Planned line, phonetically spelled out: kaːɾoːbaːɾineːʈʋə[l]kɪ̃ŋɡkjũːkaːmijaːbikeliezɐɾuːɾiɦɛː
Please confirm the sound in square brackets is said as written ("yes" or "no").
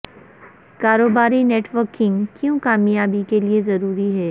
no